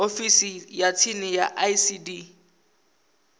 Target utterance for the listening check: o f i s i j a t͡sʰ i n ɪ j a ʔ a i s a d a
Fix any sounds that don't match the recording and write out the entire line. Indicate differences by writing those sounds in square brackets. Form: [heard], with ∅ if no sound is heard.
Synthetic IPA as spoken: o f i s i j a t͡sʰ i n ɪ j a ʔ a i s [i] d [i]